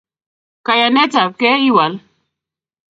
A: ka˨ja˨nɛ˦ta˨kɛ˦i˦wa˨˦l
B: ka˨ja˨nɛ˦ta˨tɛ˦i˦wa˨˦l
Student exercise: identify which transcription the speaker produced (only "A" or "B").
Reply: A